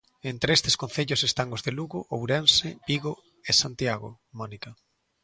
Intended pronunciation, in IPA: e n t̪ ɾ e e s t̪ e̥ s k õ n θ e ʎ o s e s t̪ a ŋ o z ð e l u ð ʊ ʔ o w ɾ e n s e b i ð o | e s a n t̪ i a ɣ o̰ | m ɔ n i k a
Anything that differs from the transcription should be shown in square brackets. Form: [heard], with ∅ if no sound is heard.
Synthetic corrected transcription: e n t̪ ɾ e e s t̪ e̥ s k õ n θ e ʎ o s e s t̪ a ŋ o z ð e l u [ɣ] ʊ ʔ o w ɾ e n s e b i [ɣ] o | e s a n t̪ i a ɣ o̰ | m ɔ n i k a